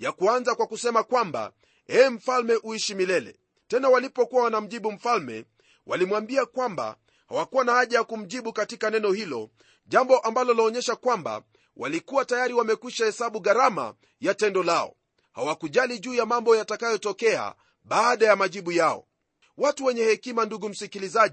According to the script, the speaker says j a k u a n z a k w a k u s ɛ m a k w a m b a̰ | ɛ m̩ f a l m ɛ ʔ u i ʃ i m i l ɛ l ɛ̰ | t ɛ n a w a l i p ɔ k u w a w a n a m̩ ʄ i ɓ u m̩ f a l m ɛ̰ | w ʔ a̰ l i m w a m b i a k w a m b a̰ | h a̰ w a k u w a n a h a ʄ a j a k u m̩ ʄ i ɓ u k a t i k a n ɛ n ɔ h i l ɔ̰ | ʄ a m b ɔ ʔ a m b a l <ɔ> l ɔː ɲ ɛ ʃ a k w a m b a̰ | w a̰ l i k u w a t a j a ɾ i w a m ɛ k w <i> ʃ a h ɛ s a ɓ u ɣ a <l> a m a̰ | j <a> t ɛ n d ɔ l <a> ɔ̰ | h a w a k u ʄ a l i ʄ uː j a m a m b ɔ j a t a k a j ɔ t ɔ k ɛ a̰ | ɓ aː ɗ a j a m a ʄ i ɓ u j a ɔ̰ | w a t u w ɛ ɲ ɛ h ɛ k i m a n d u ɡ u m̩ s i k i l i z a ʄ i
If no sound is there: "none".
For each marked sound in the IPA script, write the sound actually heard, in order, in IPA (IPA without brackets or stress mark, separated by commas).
ɔ, i, ɾ, a, a